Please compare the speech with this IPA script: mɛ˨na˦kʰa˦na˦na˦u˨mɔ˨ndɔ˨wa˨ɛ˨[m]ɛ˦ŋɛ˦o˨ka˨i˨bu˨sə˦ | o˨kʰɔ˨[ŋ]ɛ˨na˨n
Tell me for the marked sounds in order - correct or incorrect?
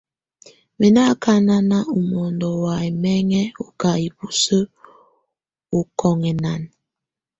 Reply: correct, correct

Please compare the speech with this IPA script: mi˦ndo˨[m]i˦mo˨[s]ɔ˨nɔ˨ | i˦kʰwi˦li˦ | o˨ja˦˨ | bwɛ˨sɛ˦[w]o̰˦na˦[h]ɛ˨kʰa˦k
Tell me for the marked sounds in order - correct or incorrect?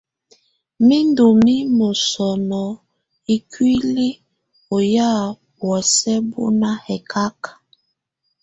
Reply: correct, correct, incorrect: b, correct

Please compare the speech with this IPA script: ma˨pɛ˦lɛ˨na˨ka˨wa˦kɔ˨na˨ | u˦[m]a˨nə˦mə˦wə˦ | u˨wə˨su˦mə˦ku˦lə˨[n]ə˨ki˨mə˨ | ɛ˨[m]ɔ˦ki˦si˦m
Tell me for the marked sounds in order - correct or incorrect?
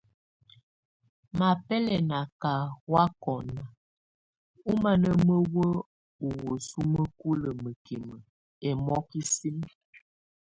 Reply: correct, incorrect: m, correct

